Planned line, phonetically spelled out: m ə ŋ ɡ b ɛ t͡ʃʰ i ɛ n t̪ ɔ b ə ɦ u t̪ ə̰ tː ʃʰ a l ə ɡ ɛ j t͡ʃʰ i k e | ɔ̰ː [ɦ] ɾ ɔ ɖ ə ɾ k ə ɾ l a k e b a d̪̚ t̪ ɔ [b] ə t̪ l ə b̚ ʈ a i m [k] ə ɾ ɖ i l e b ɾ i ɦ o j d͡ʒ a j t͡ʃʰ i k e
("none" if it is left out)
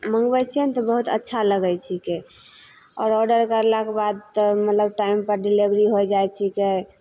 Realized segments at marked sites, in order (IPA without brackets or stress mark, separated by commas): none, m, p